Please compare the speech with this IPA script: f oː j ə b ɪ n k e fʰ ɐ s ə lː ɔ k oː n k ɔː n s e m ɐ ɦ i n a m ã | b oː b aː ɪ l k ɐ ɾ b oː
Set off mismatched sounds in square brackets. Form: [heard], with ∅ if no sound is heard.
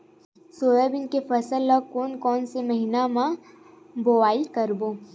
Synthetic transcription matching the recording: [s] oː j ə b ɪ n k e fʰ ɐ s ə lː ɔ k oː n k ɔː n s e m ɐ ɦ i n a m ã | b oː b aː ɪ l k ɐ ɾ b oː